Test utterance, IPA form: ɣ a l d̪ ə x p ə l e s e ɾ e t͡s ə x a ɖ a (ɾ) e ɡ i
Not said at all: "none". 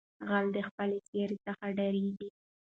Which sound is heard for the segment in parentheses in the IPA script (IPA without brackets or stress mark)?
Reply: ɾ